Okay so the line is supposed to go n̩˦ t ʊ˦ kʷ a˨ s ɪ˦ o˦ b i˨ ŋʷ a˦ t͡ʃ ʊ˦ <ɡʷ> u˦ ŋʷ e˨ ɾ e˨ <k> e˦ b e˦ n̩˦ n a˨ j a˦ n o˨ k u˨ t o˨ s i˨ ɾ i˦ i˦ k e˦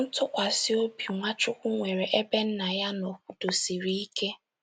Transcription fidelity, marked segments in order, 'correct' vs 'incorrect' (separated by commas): incorrect, incorrect